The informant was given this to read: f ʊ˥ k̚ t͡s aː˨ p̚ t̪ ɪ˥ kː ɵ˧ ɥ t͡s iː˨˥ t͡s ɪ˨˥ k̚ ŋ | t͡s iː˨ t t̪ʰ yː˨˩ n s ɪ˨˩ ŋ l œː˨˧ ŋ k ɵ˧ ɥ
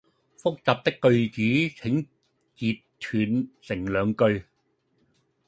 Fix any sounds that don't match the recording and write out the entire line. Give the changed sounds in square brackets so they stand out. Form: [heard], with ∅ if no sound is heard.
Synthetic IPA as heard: f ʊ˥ k̚ t͡s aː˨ p̚ t̪ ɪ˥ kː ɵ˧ ɥ t͡s iː˨˥ [t͡sʰ] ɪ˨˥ [∅] ŋ | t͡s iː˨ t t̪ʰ yː˨˩ n s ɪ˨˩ ŋ l œː˨˧ ŋ k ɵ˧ ɥ

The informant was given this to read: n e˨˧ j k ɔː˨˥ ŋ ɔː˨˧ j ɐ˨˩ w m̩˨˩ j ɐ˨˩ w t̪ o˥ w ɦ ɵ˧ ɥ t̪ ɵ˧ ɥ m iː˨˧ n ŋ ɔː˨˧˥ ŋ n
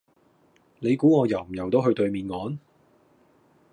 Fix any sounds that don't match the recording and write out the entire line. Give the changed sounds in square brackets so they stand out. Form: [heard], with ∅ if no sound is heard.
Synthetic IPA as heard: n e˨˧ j k [uː˨˥] ŋ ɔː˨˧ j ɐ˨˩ w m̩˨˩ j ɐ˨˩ w t̪ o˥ w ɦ ɵ˧ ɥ t̪ ɵ˧ ɥ m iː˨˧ n ŋ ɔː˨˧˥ [∅] n

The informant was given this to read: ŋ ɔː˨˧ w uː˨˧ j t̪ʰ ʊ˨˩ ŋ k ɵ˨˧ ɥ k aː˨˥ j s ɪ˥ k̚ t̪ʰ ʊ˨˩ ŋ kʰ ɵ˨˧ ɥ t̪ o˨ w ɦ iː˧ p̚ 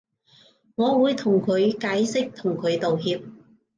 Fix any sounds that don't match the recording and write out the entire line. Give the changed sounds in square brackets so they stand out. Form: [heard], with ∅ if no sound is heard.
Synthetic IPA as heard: ŋ ɔː˨˧ w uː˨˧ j t̪ʰ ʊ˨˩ ŋ [kʰ] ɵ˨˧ ɥ k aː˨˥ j s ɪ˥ k̚ t̪ʰ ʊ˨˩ ŋ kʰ ɵ˨˧ ɥ t̪ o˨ w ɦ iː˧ p̚

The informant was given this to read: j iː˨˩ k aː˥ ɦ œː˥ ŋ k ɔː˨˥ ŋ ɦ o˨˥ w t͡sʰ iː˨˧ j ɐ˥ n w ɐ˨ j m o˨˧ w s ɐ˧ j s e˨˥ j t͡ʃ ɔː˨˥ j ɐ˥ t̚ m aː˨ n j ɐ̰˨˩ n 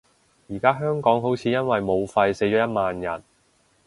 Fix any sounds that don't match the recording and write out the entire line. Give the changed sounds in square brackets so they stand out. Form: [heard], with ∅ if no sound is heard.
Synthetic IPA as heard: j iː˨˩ k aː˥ ɦ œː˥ ŋ k ɔː˨˥ ŋ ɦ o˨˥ w t͡sʰ iː˨˧ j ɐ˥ n w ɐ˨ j m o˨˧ w [f] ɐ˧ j s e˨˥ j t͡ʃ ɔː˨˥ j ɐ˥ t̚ m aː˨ n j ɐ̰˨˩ n

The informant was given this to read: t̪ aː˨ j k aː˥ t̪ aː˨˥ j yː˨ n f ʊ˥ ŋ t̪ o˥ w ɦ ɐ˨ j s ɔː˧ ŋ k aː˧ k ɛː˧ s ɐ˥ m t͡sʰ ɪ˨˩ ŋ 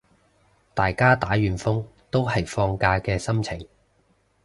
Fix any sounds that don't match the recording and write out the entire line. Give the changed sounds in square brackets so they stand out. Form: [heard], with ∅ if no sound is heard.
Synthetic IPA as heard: t̪ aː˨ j k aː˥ t̪ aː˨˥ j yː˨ n f ʊ˥ ŋ t̪ o˥ w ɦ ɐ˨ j [f] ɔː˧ ŋ k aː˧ k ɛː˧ s ɐ˥ m t͡sʰ ɪ˨˩ ŋ

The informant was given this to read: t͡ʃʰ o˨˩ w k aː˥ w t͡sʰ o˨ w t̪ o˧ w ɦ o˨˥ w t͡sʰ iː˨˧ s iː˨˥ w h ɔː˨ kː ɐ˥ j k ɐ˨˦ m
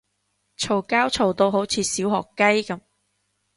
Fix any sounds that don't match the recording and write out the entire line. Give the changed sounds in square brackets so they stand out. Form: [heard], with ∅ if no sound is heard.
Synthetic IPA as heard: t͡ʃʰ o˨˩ w k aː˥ w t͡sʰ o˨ w t̪ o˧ w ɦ o˨˥ w t͡sʰ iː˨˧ s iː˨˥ w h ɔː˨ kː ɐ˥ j k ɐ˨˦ m

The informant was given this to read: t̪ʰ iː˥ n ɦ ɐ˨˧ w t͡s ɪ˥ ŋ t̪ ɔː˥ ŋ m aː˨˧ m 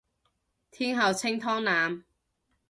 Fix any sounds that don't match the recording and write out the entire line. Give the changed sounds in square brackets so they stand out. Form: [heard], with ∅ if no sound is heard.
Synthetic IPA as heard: t̪ʰ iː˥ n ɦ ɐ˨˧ w [t͡sʰ] ɪ˥ ŋ [t̪ʰ] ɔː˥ ŋ [n] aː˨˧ m

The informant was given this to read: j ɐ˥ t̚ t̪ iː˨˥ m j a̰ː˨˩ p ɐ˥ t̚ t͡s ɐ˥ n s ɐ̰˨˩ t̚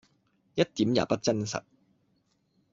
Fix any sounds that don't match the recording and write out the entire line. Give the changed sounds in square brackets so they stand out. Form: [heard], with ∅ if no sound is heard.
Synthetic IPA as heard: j ɐ˥ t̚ t̪ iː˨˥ m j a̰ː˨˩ p ɐ˥ t̚ t͡s ɐ˥ n s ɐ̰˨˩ t̚

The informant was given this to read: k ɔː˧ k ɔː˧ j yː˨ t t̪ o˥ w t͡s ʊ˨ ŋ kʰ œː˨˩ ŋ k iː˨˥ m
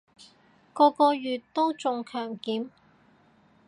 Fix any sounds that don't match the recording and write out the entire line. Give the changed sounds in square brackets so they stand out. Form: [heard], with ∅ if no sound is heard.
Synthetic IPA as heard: k ɔː˧ k ɔː˧ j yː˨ t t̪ o˥ w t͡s ʊ˨ ŋ kʰ œː˨˩ ŋ k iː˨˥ m

